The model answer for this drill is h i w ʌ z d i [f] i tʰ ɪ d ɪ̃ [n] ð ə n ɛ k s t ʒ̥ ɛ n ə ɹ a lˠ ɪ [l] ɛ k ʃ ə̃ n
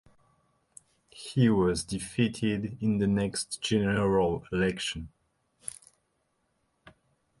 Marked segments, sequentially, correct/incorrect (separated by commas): correct, correct, correct